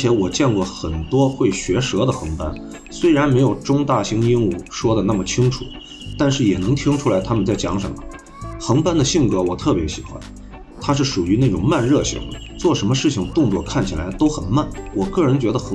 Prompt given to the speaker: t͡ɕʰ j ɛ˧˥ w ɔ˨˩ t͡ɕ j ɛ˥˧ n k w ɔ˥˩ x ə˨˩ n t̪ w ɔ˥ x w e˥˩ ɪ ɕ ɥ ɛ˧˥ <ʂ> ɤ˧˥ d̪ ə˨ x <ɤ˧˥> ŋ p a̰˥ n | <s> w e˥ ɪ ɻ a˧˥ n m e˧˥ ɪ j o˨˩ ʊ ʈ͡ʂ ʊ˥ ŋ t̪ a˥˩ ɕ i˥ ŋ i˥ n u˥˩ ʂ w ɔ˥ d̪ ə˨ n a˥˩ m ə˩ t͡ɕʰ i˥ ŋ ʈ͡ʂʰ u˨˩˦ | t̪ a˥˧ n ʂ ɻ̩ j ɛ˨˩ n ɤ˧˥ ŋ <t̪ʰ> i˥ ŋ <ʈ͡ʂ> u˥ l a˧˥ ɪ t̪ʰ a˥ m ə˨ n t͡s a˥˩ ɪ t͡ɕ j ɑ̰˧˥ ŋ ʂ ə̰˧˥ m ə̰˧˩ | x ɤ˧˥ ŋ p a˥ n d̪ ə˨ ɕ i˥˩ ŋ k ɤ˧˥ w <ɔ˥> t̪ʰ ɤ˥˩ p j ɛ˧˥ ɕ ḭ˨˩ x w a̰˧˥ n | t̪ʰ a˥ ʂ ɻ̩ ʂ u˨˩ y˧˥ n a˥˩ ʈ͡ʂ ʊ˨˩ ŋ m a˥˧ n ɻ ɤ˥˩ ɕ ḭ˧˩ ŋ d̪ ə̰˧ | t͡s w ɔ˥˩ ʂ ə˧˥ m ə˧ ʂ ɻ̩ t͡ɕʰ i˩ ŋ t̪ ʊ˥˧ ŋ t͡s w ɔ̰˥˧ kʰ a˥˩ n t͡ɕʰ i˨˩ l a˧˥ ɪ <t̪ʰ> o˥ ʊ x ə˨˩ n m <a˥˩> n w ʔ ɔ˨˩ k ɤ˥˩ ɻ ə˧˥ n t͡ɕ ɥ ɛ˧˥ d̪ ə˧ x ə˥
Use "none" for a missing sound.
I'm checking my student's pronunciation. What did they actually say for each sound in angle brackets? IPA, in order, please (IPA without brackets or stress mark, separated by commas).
ʂ, ɤ˧˥, s, t̪ʰ, ʈ͡ʂʰ, ɔ˨˩, t̪, a˥˩